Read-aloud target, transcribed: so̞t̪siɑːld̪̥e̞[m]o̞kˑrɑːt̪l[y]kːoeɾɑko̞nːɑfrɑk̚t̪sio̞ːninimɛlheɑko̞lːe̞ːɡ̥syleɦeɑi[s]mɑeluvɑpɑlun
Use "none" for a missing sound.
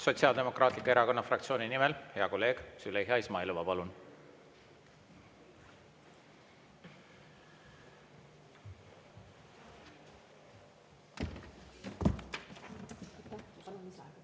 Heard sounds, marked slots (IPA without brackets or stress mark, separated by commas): m, i, s